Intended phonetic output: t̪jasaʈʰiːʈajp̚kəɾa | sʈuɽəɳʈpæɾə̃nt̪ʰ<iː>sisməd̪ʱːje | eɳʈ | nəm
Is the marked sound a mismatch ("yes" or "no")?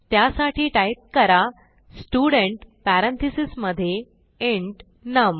yes